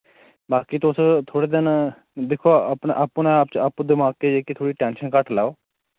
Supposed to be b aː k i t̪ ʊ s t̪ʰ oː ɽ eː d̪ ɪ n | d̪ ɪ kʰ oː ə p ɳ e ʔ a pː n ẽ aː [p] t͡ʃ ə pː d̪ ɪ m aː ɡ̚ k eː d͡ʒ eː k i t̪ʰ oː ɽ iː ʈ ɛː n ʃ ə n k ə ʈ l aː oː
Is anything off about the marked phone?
no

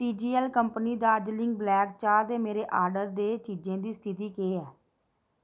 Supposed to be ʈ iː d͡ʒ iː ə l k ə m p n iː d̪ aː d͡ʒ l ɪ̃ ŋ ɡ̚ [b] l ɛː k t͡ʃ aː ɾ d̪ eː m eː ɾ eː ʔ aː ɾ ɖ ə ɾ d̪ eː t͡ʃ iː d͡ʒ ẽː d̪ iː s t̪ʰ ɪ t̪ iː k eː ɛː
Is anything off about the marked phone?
no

